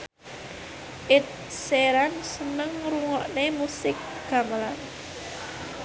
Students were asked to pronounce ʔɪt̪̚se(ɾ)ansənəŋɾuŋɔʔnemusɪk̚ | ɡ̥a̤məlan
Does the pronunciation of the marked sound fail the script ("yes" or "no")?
no